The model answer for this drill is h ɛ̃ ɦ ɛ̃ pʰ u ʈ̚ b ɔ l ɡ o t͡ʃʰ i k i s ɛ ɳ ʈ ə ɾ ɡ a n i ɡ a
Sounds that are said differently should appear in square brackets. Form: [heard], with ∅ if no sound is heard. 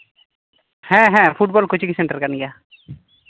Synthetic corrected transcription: h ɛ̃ ɦ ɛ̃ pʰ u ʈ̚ b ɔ l [k] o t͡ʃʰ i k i s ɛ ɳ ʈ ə ɾ [k] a n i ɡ a